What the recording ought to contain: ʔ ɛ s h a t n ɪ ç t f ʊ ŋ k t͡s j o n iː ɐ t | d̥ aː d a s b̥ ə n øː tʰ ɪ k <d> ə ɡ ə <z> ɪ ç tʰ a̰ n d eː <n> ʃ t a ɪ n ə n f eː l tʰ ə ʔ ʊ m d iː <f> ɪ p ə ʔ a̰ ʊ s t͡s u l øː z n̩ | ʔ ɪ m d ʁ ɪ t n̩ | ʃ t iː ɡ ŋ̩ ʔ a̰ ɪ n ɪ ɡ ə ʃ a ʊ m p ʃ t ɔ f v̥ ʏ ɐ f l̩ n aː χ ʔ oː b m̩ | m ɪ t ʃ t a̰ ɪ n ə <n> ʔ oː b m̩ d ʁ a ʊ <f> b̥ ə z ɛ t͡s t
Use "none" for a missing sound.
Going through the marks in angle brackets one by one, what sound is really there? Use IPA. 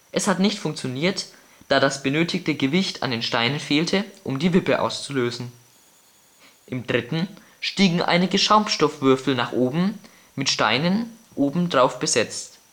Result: t, v, n, v, n, f

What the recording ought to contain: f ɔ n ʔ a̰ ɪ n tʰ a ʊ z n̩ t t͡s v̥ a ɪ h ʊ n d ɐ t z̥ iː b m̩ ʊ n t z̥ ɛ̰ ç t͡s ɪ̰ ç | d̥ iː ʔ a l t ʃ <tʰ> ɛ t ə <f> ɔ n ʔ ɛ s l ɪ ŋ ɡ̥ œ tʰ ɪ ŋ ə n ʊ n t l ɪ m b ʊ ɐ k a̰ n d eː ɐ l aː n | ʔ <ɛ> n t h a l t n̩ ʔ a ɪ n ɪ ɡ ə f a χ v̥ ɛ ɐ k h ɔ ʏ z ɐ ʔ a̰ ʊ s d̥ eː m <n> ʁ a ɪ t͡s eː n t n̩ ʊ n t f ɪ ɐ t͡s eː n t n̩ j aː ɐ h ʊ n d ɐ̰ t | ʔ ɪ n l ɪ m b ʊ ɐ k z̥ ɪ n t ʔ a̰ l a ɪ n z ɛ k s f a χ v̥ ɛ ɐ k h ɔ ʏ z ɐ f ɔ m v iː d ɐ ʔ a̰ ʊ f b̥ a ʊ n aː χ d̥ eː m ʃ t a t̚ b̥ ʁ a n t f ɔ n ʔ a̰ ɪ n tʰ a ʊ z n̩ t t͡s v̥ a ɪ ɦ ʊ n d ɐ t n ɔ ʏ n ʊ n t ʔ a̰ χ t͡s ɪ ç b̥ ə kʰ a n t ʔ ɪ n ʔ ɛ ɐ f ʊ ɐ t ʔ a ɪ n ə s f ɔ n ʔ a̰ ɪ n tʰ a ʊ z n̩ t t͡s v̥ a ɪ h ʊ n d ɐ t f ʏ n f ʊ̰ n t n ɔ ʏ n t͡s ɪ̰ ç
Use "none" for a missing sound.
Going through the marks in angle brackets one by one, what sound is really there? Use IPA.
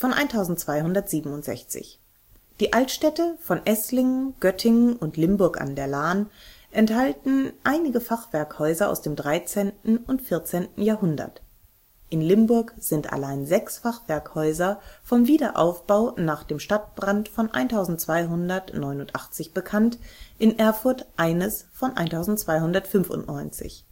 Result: t, f, ɛ, d

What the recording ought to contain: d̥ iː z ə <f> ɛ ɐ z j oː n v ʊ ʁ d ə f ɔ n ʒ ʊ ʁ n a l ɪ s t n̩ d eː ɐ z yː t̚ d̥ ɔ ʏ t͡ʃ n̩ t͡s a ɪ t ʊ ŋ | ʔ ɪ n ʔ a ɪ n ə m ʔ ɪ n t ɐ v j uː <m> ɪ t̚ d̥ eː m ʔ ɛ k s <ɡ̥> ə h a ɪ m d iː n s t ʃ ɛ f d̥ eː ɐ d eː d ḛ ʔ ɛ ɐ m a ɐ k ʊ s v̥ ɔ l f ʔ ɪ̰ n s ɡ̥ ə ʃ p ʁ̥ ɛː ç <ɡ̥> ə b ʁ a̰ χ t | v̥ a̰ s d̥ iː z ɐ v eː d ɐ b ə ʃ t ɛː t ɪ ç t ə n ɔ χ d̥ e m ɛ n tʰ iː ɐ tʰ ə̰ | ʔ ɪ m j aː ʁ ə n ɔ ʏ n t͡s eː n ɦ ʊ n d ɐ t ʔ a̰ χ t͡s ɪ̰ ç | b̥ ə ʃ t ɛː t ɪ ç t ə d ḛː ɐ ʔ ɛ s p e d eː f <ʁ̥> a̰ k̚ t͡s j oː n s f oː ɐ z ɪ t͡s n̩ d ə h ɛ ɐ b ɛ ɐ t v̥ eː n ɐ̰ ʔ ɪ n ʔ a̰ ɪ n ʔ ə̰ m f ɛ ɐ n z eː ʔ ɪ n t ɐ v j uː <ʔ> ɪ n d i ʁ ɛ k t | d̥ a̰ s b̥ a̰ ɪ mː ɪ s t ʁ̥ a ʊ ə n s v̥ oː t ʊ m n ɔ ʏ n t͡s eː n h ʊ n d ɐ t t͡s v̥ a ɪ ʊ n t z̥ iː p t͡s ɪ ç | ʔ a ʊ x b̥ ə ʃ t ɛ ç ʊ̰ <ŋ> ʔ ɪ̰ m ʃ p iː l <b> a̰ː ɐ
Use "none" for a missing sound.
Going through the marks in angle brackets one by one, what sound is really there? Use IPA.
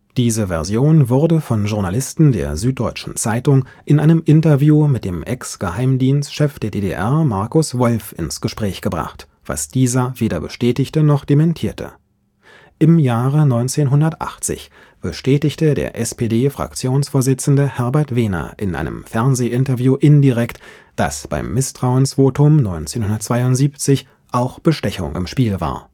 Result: v, m, ɡ̥, ɡ̥, ʁ̥, ʔ, ŋ, v

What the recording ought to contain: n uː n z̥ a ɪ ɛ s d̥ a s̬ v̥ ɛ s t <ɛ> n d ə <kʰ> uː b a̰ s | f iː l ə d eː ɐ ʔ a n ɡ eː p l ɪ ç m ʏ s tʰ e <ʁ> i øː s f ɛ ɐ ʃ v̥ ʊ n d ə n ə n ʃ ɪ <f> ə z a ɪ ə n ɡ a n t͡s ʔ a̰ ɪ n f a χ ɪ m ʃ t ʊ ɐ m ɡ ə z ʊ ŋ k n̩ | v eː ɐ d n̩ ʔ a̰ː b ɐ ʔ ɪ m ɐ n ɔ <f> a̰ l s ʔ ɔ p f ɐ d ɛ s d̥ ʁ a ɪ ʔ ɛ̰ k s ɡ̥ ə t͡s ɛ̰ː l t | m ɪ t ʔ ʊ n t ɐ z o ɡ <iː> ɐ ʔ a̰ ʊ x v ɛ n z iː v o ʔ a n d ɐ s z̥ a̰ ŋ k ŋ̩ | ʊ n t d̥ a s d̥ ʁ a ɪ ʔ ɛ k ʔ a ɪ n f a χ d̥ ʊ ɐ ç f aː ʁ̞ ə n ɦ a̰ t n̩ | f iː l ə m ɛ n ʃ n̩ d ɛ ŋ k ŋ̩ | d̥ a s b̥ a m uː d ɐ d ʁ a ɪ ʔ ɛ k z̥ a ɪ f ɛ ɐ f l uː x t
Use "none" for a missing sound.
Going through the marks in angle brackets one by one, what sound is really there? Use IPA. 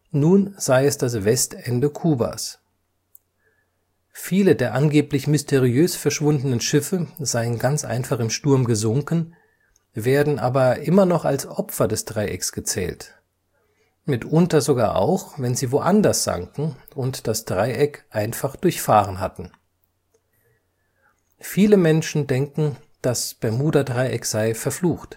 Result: ɛ, kʰ, ʁ, f, χ, aː

